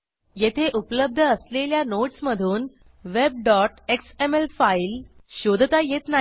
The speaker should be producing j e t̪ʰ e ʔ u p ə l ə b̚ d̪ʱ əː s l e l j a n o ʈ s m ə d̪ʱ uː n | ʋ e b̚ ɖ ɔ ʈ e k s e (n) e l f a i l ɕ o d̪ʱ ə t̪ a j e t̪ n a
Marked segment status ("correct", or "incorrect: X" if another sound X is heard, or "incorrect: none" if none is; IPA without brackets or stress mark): incorrect: m